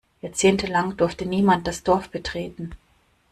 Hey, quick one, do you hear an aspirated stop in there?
no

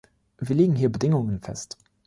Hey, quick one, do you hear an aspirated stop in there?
no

